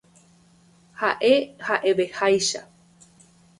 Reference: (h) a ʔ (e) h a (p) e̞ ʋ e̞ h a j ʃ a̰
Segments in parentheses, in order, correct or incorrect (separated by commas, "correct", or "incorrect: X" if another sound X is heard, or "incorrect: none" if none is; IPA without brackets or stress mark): correct, correct, incorrect: ʔ